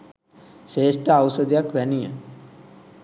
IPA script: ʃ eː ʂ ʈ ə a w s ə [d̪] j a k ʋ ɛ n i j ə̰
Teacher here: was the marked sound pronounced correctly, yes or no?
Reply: yes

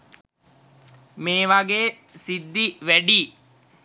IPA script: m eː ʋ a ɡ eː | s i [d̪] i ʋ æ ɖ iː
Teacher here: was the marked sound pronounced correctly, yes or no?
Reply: no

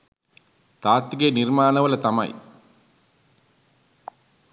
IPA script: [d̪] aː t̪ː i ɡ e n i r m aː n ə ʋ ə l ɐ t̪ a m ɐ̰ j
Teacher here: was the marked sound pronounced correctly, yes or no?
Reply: no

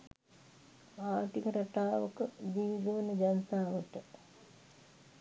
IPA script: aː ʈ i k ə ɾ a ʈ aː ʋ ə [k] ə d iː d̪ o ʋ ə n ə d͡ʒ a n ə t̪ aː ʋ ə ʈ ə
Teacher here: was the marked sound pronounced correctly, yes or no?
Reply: yes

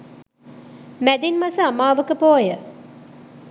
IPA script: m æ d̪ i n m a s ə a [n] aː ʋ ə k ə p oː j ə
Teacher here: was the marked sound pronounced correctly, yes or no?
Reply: no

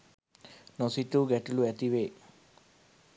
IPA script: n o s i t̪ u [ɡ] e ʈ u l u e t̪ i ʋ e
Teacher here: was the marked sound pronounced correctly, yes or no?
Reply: yes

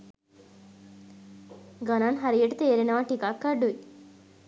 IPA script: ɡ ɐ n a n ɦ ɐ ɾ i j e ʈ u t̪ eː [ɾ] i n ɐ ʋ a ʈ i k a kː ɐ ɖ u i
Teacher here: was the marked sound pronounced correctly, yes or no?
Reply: yes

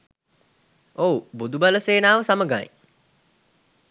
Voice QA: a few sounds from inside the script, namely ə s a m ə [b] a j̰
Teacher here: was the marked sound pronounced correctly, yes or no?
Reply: no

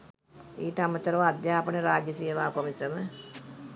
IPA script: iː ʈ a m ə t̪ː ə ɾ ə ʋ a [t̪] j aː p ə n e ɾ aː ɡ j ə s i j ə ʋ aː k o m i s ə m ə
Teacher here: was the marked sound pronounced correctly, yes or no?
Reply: no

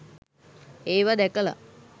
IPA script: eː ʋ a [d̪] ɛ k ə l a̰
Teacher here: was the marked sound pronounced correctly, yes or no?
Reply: yes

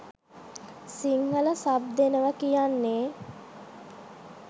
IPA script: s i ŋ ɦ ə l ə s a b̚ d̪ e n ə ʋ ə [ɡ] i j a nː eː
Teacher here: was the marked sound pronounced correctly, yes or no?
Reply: no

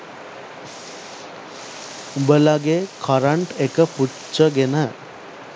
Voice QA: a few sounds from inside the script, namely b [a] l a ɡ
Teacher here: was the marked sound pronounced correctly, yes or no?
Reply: no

